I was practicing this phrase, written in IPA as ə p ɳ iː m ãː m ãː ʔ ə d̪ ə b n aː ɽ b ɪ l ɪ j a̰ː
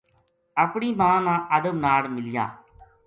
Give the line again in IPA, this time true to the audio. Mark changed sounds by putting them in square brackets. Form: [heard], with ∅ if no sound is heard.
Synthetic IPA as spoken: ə p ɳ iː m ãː [n] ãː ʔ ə d̪ ə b n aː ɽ [m] ɪ l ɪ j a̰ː